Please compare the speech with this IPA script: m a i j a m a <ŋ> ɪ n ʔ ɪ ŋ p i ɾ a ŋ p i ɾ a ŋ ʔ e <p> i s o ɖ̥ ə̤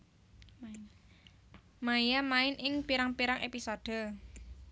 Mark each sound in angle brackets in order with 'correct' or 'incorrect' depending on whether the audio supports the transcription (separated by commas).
incorrect, correct